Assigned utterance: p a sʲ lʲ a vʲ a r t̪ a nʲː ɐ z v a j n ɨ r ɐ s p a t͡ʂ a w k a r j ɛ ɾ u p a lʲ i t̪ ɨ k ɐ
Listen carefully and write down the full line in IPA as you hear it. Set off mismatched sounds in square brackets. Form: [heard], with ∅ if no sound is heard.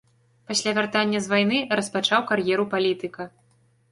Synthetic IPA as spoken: p a sʲ lʲ a vʲ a r t̪ a nʲː ɐ z v a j n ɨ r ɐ s p a t͡ʂ a w k a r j ɛ ɾ u p a lʲ i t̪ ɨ k ɐ

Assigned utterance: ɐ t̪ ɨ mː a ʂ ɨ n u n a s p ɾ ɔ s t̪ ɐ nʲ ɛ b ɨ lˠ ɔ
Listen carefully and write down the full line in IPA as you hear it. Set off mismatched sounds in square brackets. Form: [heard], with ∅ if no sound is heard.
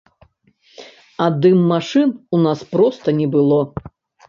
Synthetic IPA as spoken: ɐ [d̪] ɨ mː a ʂ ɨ n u n a s p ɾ ɔ s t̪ ɐ nʲ ɛ b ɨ lˠ ɔ

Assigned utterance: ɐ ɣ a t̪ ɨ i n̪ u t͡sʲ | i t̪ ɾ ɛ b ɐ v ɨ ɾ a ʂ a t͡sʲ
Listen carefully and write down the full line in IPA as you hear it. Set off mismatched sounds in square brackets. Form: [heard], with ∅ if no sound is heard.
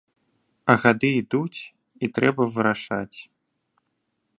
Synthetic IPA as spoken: ɐ ɣ a [d̪] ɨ i [d̪] u t͡sʲ | i t̪ ɾ ɛ b ɐ v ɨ ɾ a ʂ a t͡sʲ

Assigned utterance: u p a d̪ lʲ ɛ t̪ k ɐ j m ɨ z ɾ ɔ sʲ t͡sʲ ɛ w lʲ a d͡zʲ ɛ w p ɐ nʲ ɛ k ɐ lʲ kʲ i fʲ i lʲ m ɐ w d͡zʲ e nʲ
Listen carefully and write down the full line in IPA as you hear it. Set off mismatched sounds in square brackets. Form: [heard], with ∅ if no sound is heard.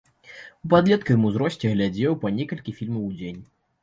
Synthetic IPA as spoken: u p a d̪ lʲ ɛ t̪ k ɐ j m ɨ z ɾ ɔ sʲ t͡sʲ ɛ [ɣ] lʲ a d͡zʲ ɛ w p ɐ nʲ ɛ k ɐ lʲ kʲ i fʲ i lʲ m ɐ w d͡zʲ e nʲ

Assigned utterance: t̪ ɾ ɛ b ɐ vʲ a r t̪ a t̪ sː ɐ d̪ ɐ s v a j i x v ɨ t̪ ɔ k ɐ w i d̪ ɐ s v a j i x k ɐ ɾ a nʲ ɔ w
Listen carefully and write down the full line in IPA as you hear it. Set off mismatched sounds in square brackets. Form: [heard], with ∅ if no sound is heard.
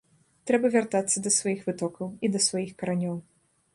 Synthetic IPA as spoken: t̪ ɾ ɛ b ɐ vʲ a r t̪ a t̪ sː ɐ d̪ ɐ s v a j i x v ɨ t̪ ɔ k ɐ w i d̪ ɐ s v a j i x k ɐ ɾ a nʲ ɔ w

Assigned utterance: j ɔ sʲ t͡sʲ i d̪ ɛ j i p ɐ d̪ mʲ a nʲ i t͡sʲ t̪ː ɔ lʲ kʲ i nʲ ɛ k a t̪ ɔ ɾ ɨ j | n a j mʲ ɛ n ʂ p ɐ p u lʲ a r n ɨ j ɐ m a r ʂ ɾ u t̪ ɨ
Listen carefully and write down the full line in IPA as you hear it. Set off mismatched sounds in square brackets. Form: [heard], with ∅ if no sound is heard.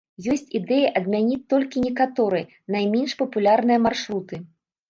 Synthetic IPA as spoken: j ɔ sʲ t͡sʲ i d̪ ɛ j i [ʔ] ɐ d̪ mʲ a nʲ i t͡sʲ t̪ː ɔ lʲ kʲ i nʲ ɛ k a t̪ ɔ ɾ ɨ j | n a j mʲ ɛ n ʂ p ɐ p u lʲ a r n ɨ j ɐ m a r ʂ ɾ u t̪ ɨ

